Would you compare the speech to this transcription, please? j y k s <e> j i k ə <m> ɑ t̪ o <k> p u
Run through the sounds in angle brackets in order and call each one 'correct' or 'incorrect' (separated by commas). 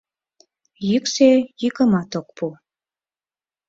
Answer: correct, correct, correct